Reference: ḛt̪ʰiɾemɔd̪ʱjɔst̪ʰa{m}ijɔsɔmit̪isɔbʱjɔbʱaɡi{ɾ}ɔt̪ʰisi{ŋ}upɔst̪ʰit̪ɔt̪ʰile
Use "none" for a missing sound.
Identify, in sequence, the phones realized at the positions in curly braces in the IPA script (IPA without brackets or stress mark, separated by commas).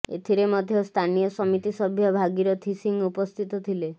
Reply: n, ɾ, ŋ